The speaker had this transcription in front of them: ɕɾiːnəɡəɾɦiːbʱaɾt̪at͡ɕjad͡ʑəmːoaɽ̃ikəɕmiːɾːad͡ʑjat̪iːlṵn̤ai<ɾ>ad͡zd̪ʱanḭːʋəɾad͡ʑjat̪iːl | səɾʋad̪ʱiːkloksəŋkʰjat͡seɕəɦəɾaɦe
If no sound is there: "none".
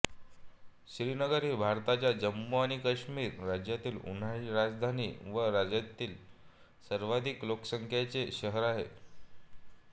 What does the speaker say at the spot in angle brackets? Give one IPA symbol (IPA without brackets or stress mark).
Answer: ɾ